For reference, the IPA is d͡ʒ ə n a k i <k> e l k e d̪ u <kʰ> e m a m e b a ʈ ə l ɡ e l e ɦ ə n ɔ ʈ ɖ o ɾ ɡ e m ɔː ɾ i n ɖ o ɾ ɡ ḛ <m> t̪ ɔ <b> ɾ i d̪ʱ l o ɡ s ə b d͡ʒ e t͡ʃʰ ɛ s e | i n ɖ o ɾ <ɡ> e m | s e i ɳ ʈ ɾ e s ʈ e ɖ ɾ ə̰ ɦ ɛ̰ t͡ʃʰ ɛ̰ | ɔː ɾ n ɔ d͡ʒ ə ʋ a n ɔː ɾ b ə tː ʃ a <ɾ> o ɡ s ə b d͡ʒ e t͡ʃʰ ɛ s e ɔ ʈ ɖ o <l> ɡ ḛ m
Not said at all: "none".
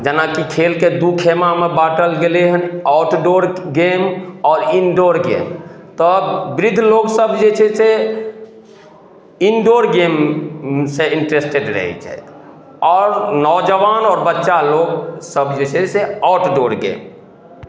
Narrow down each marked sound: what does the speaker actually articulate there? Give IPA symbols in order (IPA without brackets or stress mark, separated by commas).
kʰ, kʰ, m, b, ɡ, l, ɾ